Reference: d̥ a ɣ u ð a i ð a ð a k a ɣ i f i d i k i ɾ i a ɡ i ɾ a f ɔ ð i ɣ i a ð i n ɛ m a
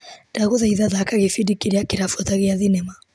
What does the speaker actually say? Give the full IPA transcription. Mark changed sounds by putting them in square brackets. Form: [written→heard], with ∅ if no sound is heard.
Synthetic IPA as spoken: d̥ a ɣ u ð a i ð a ð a k a ɣ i f i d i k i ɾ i a [ɡ→k] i ɾ a f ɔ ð [i→a] ɣ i a ð i n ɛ m a